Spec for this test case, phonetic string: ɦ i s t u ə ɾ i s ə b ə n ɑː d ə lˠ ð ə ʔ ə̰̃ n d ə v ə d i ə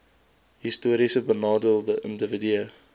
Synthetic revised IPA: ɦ i s t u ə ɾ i s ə b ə n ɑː d ə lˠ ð ə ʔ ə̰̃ n d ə v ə d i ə